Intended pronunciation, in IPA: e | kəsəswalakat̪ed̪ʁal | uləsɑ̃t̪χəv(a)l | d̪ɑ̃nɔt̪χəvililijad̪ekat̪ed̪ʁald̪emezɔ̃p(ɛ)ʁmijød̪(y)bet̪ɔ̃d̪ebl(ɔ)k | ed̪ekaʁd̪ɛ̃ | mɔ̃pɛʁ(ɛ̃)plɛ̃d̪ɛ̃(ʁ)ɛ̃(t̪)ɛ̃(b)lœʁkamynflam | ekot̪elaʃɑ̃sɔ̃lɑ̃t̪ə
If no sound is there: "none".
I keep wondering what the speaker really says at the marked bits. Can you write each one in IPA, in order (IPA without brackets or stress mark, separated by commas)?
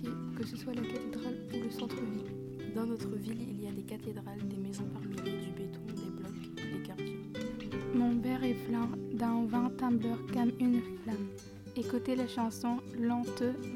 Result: i, a, y, ɔ, ɛ, v, t̪, b